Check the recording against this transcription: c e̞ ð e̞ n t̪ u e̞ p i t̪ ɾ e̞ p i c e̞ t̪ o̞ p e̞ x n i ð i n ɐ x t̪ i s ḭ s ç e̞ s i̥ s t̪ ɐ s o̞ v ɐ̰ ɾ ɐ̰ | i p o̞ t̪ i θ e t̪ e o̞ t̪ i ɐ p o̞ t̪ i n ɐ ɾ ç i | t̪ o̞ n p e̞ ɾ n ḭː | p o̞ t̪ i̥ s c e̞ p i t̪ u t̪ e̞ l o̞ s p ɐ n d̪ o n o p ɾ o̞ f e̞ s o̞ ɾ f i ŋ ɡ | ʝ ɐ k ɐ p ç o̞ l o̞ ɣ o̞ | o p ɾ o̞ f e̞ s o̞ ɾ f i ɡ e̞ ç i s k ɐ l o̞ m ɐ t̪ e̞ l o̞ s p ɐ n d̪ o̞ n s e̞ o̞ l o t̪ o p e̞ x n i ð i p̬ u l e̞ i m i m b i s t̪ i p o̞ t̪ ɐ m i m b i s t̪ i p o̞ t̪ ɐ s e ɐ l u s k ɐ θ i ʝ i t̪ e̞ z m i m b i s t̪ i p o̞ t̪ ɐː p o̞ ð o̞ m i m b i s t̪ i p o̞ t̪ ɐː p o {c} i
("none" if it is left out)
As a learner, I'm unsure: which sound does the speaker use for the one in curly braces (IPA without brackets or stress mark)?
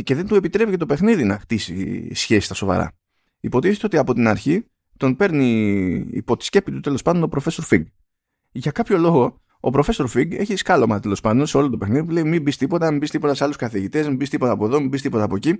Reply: c